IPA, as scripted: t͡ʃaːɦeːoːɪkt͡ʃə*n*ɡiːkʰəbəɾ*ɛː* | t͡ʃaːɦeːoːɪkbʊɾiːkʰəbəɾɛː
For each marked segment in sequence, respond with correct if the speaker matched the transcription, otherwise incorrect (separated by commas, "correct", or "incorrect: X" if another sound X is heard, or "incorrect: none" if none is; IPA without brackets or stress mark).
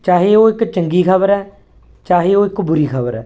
incorrect: ŋ, correct